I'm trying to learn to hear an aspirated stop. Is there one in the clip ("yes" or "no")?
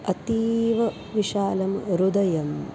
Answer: no